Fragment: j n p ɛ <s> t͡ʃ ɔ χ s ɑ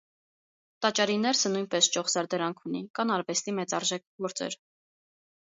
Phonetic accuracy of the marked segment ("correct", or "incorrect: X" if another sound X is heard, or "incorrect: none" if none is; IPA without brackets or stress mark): correct